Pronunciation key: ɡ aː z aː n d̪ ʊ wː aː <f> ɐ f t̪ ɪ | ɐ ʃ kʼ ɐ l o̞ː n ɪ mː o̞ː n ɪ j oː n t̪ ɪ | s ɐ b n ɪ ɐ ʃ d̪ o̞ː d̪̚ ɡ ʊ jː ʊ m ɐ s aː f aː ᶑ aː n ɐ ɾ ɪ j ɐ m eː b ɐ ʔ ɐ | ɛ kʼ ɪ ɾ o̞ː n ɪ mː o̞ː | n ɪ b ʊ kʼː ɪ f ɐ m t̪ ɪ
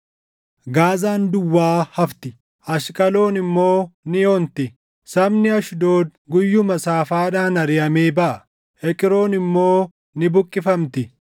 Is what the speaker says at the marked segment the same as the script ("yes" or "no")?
no